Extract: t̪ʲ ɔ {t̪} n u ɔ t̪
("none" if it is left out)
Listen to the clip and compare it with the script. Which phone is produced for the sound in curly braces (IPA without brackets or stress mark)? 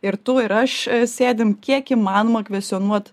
none